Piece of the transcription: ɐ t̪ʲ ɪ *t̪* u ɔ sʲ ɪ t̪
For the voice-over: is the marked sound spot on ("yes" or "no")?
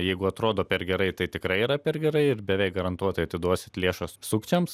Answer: no